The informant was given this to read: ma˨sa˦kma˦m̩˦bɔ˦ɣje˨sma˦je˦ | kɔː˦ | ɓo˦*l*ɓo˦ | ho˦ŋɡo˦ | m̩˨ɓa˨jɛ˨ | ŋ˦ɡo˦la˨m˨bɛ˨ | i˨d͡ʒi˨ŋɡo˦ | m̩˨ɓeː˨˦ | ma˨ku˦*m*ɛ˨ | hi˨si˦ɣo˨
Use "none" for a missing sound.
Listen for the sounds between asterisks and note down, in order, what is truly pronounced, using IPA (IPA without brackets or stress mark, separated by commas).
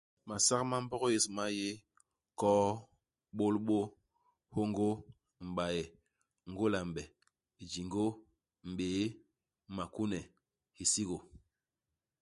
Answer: l, n